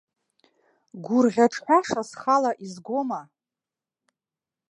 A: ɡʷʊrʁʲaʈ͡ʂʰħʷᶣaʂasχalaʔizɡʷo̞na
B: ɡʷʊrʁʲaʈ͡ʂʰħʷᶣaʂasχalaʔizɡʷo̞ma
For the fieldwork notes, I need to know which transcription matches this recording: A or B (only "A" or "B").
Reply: B